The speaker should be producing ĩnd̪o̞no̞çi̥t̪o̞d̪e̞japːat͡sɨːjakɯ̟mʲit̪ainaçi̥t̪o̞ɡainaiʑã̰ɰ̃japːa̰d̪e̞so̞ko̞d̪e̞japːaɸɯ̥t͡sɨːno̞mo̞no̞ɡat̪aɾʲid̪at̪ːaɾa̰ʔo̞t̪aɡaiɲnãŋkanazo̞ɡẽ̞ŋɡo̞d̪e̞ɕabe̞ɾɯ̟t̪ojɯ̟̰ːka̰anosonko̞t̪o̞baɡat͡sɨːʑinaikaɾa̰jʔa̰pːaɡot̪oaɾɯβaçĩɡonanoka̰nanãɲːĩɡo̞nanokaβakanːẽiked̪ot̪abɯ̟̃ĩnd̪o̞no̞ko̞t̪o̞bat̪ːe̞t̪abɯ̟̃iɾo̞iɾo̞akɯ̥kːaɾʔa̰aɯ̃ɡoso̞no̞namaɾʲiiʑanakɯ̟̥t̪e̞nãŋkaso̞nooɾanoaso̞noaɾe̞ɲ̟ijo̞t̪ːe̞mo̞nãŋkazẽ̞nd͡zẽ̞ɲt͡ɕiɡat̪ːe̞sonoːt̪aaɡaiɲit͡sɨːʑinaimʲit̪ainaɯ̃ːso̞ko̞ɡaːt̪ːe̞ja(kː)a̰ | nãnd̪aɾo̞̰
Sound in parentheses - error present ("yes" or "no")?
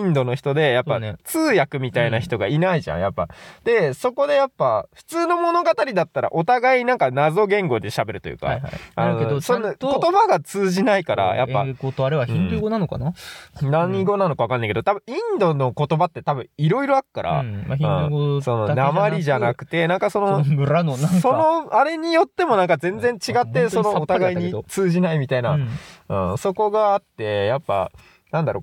yes